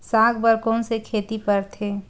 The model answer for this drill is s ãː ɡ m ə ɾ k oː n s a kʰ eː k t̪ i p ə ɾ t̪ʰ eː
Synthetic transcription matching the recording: s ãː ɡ b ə ɾ k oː n s e kʰ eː t̪ i p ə ɾ t̪ʰ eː